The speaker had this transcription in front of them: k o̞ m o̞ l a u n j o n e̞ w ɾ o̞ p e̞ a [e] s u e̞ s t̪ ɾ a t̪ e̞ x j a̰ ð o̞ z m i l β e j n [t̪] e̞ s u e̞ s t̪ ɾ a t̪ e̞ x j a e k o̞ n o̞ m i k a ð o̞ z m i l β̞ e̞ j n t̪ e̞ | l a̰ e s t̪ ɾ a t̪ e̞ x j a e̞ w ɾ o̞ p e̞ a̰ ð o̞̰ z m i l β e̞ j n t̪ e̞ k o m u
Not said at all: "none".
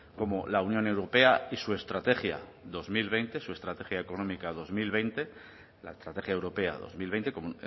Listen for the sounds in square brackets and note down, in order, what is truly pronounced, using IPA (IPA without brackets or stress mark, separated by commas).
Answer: i, t̪